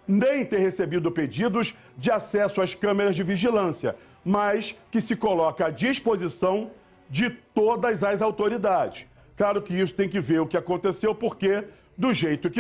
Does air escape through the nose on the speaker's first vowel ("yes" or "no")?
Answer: yes